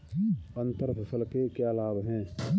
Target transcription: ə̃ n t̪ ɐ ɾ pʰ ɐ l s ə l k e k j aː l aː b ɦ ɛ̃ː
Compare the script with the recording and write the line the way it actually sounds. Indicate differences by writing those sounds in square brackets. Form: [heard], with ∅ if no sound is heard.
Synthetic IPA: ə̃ n t̪ [ə] ɾ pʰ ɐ [∅] s ə l k e k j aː l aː b ɦ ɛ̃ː